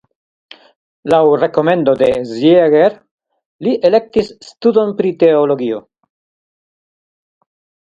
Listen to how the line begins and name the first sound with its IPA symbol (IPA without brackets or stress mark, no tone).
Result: l